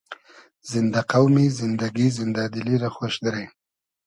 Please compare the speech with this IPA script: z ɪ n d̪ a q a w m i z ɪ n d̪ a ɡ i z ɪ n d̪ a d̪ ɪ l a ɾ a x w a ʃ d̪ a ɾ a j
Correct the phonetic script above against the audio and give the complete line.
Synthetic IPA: z ɪ n d̪ a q a w m i z ɪ n d̪ a ɡ i z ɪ n d̪ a d̪ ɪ l i ɾ a x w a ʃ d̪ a ɾ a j